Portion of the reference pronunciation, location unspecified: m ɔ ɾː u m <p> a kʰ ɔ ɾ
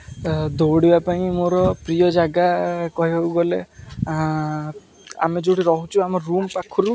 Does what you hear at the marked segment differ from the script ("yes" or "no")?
no